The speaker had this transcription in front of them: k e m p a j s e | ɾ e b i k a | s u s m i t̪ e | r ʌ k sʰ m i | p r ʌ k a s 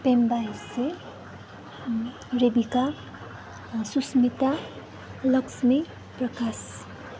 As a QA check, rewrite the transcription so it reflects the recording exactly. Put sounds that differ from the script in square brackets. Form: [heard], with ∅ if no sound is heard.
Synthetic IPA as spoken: [p] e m [b] a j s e | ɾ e b i k a | s u s m i t̪ [a] | [l] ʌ k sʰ m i | p r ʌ k a s

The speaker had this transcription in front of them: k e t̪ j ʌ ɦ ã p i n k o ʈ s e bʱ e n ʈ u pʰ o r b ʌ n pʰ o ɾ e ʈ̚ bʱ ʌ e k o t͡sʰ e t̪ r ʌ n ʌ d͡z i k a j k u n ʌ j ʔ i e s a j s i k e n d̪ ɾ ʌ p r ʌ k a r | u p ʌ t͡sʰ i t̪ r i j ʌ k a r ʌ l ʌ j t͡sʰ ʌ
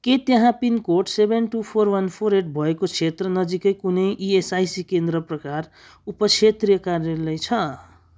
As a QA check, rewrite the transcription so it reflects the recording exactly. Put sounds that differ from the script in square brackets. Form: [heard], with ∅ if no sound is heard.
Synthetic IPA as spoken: k e t̪ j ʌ ɦ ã p i n k o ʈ s e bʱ e n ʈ u pʰ o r [w] ʌ n pʰ o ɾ e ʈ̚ bʱ ʌ e k o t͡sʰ e t̪ r ʌ n ʌ d͡z i k [ʌ] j k u n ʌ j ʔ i e s a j s i k e n d̪ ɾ ʌ p r ʌ k a r | u p ʌ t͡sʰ [e] t̪ r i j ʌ k a r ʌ l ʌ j t͡sʰ ʌ

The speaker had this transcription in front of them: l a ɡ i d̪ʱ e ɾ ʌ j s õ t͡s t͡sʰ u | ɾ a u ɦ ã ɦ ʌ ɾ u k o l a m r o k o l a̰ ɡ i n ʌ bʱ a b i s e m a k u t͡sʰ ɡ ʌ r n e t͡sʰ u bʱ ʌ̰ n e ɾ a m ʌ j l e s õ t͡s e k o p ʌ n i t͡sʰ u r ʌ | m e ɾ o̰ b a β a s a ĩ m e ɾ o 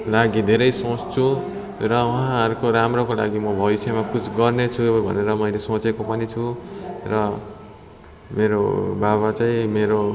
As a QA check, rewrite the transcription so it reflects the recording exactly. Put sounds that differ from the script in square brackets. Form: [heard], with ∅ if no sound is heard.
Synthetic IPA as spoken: l a ɡ i d̪ʱ e ɾ ʌ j s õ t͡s t͡sʰ u | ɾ [ʌ] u ɦ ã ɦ ʌ ɾ u k o [ɾ] a m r o k o l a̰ ɡ i [m] ʌ bʱ [ʌ] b i s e m a k u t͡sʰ ɡ ʌ r n e t͡sʰ u bʱ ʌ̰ n e ɾ [ʌ] m ʌ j l e s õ t͡s e k o p ʌ n i t͡sʰ u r ʌ | m e ɾ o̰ b a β a [t͡s] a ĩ m e ɾ o

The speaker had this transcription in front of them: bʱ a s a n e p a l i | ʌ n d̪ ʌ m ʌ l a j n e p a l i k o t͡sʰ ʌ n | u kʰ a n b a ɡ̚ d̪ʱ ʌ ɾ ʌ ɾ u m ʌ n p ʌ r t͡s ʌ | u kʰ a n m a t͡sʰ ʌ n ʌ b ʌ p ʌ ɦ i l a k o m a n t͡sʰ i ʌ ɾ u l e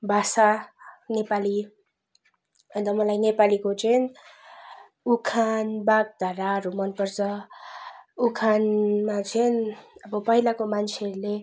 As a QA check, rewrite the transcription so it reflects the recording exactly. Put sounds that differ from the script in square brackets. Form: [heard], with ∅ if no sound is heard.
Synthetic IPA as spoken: bʱ a s a n e p a l i | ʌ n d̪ ʌ m ʌ l a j n e p a l i k o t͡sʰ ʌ n | u kʰ a n b a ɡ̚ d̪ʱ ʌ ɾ [a] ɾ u m ʌ n p ʌ r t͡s ʌ | u kʰ a n m a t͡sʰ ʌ n ʌ b ʌ p ʌ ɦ i l a k o m a n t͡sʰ [e] ʌ ɾ u l e

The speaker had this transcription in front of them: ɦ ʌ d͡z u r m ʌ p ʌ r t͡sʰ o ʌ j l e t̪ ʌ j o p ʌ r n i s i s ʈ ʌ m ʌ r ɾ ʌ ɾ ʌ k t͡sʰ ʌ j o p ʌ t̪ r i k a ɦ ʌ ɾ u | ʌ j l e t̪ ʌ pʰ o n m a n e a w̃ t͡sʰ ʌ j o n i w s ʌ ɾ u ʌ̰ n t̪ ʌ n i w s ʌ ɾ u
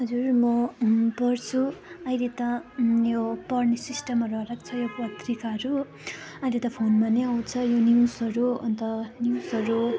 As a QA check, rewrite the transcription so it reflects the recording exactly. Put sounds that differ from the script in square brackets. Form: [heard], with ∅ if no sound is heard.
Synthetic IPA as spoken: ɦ ʌ d͡z u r m ʌ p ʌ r t͡sʰ [u] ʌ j l e t̪ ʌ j o p ʌ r n i s i s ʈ ʌ m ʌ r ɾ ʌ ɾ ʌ k t͡sʰ ʌ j o p ʌ t̪ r i k a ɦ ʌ ɾ u | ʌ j l e t̪ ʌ pʰ o n m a n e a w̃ t͡sʰ ʌ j o n i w s ʌ ɾ u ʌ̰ n t̪ ʌ n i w s ʌ ɾ u

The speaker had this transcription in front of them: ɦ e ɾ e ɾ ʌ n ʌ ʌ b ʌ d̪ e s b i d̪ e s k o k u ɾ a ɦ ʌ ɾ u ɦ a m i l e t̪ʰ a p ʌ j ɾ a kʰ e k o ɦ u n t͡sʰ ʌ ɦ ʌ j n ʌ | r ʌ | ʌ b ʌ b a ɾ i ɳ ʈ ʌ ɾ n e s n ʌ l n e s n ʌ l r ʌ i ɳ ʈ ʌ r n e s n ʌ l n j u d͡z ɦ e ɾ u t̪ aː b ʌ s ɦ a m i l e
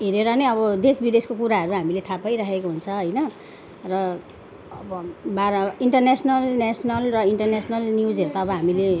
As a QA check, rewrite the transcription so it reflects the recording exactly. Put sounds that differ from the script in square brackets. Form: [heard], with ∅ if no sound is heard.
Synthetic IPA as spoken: ɦ e ɾ e ɾ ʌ n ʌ ʌ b ʌ d̪ e s b i d̪ e s k o k u ɾ a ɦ ʌ ɾ u ɦ a m i l e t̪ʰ a p ʌ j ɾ a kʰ e k o ɦ u n t͡sʰ ʌ ɦ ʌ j n ʌ | r ʌ | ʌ b ʌ b a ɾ i ɳ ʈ ʌ [r] n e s n ʌ l n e s n ʌ l r ʌ i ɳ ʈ ʌ r n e s n ʌ l n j u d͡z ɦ e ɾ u t̪ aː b ʌ [∅] ɦ a m i l e

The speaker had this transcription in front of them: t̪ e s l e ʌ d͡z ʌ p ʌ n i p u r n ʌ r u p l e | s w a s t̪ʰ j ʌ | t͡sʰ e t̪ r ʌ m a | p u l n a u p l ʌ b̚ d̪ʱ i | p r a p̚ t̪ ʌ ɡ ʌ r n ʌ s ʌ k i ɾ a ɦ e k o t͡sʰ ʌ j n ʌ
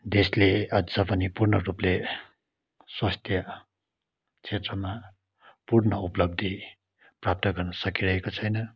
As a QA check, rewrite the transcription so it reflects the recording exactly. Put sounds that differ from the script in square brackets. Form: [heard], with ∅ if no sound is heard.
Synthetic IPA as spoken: [d̪] e s l e ʌ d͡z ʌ p ʌ n i p u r n ʌ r u p l e | s w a s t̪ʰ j ʌ | t͡sʰ e t̪ r ʌ m a | p u [r] n [ʌ] u p l ʌ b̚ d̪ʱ i | p r a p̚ t̪ ʌ ɡ ʌ r n ʌ s ʌ k i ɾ [ʌ] ɦ e k o t͡sʰ ʌ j n ʌ

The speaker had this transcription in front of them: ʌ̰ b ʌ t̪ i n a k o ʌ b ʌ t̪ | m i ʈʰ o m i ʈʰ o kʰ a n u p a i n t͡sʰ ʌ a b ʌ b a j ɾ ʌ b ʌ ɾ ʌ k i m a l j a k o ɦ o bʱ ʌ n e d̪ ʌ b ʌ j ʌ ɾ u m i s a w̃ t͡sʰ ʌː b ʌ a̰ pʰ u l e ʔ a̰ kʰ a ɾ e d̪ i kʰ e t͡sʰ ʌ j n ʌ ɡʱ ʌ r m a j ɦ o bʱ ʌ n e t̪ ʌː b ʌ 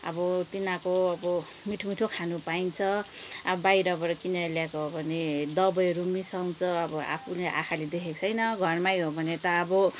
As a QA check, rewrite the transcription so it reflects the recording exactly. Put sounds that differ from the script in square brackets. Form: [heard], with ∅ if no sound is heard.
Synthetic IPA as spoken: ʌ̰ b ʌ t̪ i n a k o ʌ b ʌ [∅] | m i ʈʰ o m i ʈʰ o kʰ a n u p a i n t͡sʰ ʌ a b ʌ b a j ɾ ʌ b ʌ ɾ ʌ k i [n] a l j a k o ɦ o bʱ ʌ n e d̪ ʌ b ʌ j ʌ ɾ u m i s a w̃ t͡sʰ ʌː b ʌ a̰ pʰ u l e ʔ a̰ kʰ a [l] e d̪ [e] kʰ e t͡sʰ ʌ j n ʌ ɡʱ ʌ r m a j ɦ o bʱ ʌ n e t̪ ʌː b ʌ

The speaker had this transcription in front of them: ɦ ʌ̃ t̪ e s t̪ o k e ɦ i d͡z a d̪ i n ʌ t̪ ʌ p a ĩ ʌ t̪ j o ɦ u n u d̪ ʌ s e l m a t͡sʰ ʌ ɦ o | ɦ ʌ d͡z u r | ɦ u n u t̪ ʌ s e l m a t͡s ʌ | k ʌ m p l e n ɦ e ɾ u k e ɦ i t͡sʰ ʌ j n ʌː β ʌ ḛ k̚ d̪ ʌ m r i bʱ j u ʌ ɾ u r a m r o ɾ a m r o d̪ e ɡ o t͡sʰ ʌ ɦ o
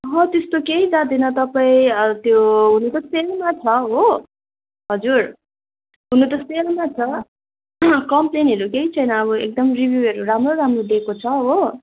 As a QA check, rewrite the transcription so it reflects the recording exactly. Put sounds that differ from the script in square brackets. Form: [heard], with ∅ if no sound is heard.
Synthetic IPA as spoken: ɦ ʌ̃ t̪ e s t̪ o k e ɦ i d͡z a d̪ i n ʌ t̪ ʌ p a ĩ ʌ t̪ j o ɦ u n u [t̪] ʌ s e l m a t͡sʰ ʌ ɦ o | ɦ ʌ d͡z u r | ɦ u n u t̪ ʌ s e l m a [t͡sʰ] ʌ | k ʌ m p l e n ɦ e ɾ u k e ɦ i t͡sʰ ʌ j n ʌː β ʌ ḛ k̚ d̪ ʌ m r i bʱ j u ʌ ɾ u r a m r o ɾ a m r o d̪ e [k] o t͡sʰ ʌ ɦ o

